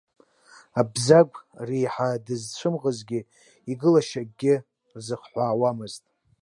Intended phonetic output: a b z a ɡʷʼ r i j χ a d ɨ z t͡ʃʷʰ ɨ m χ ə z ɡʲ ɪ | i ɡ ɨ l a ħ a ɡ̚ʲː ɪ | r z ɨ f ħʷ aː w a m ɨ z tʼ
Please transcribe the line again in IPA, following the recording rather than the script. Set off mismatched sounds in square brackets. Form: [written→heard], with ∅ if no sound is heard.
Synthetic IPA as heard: a b z a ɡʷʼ r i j [χ→ħ] a d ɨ z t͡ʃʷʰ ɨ m [χ→ʁ] ə z ɡʲ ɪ | i ɡ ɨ l a [ħ→ʃ] a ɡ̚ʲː ɪ | r z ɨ [f→χ] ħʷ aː w a m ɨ z tʼ